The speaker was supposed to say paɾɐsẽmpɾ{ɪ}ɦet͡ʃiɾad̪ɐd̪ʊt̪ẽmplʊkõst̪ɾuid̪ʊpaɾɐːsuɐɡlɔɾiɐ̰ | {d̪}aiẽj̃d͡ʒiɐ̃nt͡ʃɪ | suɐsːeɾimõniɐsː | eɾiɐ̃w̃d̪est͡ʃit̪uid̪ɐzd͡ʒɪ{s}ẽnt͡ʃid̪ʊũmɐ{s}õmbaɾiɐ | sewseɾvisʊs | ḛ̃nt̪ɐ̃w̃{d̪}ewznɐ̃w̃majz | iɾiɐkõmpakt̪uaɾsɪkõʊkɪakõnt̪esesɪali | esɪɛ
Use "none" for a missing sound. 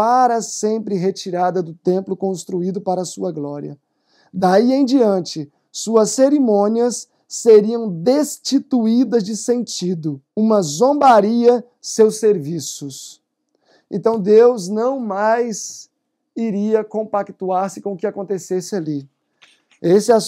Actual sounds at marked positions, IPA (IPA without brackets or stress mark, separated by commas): ɪ, d̪, s, z, d̪